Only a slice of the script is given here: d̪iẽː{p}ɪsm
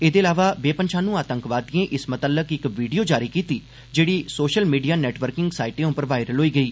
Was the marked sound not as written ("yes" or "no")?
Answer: yes